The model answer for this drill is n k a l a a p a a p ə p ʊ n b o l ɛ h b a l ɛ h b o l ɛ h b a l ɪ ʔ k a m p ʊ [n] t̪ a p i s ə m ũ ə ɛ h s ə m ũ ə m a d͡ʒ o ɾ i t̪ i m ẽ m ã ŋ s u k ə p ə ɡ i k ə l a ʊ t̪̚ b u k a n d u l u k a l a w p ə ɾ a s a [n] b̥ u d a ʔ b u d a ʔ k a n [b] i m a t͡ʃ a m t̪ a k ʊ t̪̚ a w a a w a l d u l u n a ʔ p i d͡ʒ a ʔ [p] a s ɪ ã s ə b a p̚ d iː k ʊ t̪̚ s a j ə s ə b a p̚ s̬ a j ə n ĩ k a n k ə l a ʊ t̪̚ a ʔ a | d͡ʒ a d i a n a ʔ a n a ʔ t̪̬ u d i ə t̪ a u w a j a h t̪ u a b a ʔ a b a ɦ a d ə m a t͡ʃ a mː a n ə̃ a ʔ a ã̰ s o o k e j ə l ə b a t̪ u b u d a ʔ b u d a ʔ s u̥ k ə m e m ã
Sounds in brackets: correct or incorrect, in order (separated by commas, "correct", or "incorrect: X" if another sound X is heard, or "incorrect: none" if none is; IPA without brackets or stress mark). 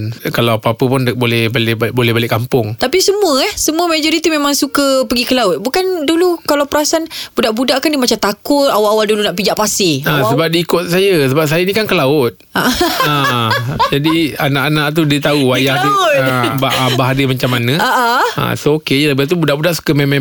incorrect: ŋ, correct, incorrect: d, correct